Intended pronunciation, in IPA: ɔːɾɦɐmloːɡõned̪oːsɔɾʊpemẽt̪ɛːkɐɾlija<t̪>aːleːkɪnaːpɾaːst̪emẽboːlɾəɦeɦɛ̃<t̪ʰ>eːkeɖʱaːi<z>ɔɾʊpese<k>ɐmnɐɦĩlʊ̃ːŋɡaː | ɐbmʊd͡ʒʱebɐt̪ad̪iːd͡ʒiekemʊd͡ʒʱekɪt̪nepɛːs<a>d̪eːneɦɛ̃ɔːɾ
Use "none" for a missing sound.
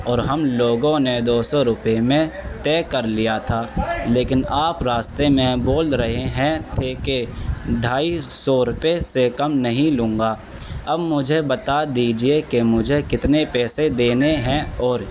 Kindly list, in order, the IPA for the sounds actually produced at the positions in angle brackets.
t̪ʰ, t̪ʰ, s, k, e

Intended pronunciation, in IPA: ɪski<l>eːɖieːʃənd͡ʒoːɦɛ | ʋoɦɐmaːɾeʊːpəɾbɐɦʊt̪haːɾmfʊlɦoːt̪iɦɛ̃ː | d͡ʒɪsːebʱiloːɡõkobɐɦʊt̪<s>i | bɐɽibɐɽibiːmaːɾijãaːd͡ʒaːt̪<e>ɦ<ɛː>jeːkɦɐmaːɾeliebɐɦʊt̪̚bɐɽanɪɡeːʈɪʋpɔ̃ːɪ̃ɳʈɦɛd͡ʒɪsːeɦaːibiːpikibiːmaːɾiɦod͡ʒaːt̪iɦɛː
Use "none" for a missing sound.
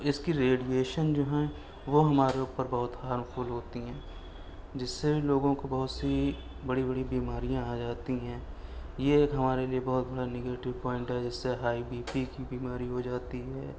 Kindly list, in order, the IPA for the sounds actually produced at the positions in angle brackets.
ɾ, s, i, ɛ̃ː

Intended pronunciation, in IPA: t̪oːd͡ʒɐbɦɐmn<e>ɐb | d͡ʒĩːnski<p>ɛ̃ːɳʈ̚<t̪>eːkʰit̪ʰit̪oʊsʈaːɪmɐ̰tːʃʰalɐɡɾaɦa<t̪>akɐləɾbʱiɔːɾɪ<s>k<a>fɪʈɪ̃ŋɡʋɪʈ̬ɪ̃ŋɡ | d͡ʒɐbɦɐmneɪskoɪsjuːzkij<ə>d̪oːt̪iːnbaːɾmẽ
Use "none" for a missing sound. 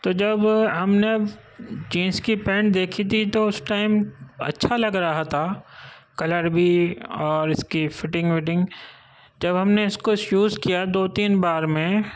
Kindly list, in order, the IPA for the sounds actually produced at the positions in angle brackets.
e, p, d̪, t̪ʰ, s, i, a

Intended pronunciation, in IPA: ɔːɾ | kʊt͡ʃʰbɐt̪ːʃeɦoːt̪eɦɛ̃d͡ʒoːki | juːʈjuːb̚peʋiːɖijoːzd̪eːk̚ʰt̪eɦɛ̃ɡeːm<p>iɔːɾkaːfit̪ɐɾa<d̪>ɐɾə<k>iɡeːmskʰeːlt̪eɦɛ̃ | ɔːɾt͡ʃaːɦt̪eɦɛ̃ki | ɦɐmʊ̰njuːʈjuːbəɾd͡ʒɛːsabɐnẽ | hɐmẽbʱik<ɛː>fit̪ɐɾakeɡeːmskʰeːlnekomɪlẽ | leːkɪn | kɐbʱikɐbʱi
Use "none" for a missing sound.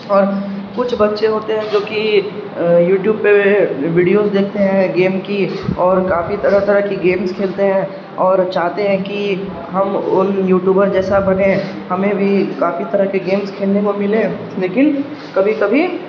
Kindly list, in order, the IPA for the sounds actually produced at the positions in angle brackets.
k, t̪, k, aː

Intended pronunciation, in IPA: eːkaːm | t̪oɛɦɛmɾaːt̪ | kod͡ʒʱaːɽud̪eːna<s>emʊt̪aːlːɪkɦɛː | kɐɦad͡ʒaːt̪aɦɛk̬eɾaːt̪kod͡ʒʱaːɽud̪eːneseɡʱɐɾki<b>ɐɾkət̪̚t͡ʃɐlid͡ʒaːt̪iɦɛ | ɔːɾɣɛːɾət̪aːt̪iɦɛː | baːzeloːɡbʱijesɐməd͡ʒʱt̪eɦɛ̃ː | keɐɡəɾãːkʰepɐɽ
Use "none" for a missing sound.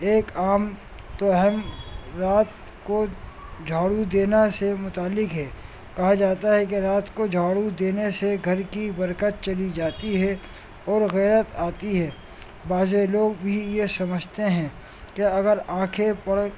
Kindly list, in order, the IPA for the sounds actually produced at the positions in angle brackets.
s, b

